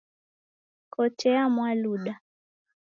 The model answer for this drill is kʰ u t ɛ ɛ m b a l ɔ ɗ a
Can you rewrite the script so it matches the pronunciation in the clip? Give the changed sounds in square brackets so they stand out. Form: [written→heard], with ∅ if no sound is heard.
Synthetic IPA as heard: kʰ [u→ɔ] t ɛ [ɛ→a] m [b→w] a l [ɔ→u] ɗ a

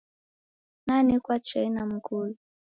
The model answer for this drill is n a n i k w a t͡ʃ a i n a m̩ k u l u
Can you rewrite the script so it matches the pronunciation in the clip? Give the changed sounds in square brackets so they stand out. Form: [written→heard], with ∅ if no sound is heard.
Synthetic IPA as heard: n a n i k w a t͡ʃ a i n a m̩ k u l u

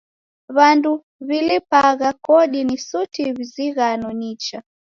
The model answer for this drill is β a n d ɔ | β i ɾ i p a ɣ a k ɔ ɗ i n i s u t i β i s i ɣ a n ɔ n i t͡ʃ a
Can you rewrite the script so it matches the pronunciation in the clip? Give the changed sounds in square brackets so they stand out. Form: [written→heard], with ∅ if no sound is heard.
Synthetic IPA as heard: β a n d [ɔ→u] | β i [ɾ→l] i p a ɣ a k ɔ ɗ i n i s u t i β i [s→z] i ɣ a n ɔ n i t͡ʃ a

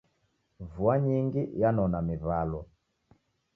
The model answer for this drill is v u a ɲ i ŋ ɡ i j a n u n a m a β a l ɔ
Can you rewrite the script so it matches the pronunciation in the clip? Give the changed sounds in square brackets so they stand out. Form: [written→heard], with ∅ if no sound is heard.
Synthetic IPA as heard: v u a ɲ i ŋ ɡ i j a n [u→ɔ] n a m [a→i] β a l ɔ

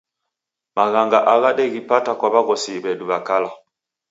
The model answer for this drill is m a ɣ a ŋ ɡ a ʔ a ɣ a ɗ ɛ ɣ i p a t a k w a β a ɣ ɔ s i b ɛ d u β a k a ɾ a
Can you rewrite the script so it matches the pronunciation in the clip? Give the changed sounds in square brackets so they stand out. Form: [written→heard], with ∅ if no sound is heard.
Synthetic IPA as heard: m a ɣ a ŋ ɡ a ʔ a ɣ a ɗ ɛ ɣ i p a t a k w a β a ɣ ɔ s i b ɛ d u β a k a [ɾ→l] a

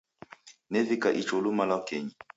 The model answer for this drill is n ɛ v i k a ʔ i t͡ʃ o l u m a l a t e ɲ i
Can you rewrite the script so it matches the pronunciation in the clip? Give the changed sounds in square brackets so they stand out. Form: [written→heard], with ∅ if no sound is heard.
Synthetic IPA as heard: n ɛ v i k a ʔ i t͡ʃ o l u m a l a [t→k] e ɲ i

